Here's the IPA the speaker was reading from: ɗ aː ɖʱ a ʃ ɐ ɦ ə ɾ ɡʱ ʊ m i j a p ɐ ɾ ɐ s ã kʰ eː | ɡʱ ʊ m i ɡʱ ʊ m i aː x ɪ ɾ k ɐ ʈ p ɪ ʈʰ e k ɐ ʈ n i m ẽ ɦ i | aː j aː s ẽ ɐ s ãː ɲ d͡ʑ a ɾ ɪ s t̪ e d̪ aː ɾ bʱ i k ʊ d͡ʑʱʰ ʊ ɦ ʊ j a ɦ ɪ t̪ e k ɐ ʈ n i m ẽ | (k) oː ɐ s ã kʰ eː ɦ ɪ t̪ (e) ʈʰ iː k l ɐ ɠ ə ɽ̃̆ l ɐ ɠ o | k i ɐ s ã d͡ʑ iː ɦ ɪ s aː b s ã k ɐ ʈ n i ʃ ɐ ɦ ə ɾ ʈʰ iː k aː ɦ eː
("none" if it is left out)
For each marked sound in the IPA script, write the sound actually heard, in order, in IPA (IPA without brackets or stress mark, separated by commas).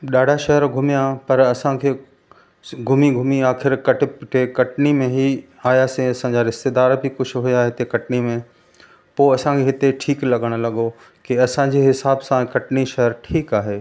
p, e